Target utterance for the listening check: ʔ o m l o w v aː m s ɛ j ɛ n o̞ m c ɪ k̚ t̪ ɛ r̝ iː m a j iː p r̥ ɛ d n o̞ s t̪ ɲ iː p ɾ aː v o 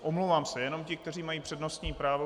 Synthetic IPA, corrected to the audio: ʔ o m l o w v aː m s ɛ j ɛ n o̞ m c ɪ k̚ t̪ ɛ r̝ iː m a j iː p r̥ ɛ d n o̞ s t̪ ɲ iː p ɾ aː v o